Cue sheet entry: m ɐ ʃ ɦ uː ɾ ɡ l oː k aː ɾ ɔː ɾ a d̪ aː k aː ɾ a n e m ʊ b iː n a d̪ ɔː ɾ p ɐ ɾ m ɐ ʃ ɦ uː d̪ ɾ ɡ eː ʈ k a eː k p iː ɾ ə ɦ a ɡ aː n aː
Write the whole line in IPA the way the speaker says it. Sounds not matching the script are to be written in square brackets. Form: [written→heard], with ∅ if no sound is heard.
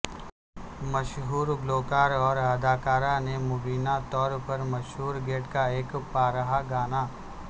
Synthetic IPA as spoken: m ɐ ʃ ɦ uː ɾ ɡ l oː k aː ɾ ɔː ɾ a d̪ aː k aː ɾ a n e m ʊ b iː n a [d̪→t̪] ɔː ɾ p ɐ ɾ m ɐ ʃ ɦ uː [d̪→∅] ɾ ɡ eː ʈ k a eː k p [iː→aː] ɾ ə ɦ a ɡ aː n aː